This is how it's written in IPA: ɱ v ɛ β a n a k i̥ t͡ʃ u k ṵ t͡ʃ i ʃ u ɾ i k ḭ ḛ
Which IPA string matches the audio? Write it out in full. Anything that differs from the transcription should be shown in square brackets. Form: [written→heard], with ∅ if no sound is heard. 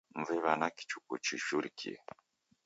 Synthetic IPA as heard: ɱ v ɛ β a n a k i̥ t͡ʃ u k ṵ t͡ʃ i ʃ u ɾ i k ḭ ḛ